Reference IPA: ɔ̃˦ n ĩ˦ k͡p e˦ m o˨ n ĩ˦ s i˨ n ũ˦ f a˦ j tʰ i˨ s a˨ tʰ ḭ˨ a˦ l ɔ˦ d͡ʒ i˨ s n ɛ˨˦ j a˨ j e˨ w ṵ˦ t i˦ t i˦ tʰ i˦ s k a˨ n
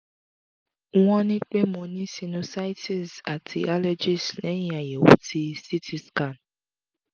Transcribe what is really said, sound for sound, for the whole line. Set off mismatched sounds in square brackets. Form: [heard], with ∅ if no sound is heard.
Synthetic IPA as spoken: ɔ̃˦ n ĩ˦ k͡p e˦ m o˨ n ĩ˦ s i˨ n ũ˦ [s] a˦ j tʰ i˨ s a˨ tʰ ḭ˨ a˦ l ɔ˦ d͡ʒ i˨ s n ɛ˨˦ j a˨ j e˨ w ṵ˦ t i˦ [s] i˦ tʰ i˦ s k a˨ n